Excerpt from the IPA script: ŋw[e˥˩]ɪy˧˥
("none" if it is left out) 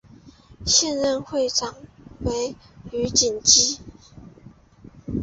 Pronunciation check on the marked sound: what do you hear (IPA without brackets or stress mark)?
e˧˥